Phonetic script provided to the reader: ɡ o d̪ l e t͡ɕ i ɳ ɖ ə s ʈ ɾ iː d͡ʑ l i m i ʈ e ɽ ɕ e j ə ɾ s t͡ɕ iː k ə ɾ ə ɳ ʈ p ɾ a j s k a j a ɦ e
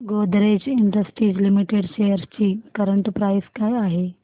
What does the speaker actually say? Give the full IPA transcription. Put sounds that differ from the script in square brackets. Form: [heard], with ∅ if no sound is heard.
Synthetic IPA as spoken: ɡ o d̪ [ɾ] e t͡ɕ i ɳ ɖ ə s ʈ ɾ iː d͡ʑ l i m i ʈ e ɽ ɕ e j ə ɾ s t͡ɕ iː k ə ɾ ə ɳ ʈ p ɾ a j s k a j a ɦ e